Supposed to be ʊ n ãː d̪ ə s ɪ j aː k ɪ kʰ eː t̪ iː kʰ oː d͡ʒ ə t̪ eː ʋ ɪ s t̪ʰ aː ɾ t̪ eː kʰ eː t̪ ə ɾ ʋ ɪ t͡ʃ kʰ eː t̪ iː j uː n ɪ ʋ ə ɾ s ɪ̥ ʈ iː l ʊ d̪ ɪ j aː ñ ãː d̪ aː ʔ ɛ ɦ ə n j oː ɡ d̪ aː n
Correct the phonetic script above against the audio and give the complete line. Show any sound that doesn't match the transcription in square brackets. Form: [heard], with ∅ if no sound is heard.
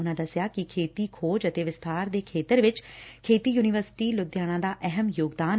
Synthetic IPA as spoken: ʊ n ãː d̪ ə s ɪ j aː k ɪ kʰ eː t̪ iː kʰ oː d͡ʒ ə t̪ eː ʋ ɪ s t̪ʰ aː ɾ [d̪] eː kʰ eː t̪ ə ɾ ʋ ɪ t͡ʃ kʰ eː t̪ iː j uː n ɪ ʋ ə ɾ s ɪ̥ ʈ iː l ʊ d̪ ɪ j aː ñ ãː d̪ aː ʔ ɛ ɦ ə [m] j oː ɡ d̪ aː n